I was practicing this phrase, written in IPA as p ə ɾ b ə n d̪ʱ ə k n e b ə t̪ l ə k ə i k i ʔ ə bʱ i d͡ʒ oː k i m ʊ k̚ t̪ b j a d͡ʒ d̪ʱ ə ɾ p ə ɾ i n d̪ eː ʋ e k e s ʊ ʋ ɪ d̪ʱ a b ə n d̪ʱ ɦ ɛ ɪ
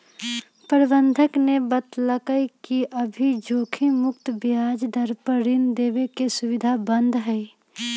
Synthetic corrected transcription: p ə ɾ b ə n d̪ʱ ə k n e b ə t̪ l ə k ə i k i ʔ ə bʱ i d͡ʒ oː kʰ i m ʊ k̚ t̪ b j a d͡ʒ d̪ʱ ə ɾ p ə ɾ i n d̪ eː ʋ e k e s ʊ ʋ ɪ d̪ʱ a b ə n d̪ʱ ɦ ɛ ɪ